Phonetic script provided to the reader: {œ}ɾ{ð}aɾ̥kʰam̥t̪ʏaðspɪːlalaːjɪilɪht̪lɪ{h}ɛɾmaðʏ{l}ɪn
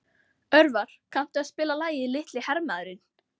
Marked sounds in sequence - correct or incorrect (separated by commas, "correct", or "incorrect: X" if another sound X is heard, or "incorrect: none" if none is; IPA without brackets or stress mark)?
correct, incorrect: v, correct, incorrect: ɾ